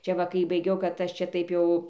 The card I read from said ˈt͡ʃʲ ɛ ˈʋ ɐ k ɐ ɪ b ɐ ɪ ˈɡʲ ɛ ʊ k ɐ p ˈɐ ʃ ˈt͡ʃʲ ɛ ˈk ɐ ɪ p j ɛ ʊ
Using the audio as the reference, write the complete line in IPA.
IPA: ˈt͡ʃʲ ɛ ˈʋ ɐ k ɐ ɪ b ɐ ɪ ˈɡʲ ɛ ʊ k ɐ t ˈɐ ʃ ˈt͡ʃʲ ɛ ˈt ɐ ɪ p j ɛ ʊ